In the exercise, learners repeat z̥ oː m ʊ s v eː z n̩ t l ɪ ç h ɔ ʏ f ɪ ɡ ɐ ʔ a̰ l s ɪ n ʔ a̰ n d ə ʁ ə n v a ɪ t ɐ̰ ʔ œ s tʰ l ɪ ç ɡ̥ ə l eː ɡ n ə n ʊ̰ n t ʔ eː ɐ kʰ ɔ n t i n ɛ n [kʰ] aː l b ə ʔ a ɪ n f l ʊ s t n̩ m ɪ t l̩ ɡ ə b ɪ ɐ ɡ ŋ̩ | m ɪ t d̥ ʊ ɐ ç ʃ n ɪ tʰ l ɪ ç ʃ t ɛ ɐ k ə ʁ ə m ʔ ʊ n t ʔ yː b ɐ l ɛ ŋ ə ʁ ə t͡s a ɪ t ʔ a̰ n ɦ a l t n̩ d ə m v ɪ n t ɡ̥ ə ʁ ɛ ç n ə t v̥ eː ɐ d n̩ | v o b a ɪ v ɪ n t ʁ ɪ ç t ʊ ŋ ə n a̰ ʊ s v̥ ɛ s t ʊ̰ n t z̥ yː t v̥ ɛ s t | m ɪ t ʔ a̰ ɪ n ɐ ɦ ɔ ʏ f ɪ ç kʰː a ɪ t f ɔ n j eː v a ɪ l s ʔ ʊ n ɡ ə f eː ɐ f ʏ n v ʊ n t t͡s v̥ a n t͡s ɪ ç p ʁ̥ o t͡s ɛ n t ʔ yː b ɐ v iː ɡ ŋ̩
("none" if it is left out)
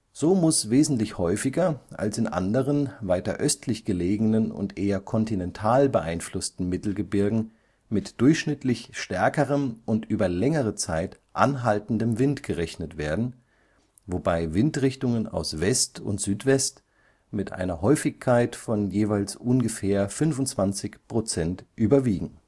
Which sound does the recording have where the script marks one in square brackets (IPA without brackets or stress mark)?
tʰ